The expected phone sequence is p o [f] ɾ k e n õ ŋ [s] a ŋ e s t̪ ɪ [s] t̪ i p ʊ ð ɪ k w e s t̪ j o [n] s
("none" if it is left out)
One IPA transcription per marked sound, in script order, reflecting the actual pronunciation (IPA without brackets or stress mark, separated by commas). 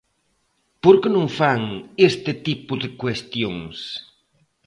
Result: none, f, none, ŋ